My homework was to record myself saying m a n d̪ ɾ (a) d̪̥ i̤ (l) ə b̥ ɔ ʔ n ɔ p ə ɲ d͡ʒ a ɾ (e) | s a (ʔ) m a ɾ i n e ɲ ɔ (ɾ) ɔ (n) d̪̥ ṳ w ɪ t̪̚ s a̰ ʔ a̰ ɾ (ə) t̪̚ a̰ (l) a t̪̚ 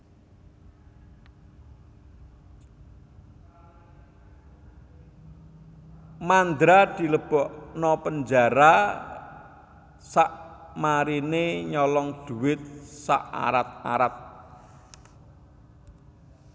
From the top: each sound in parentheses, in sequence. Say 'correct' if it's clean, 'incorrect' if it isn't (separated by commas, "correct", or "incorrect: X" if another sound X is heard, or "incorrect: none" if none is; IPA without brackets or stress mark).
correct, correct, incorrect: a, correct, incorrect: l, incorrect: ŋ, incorrect: a, incorrect: ɾ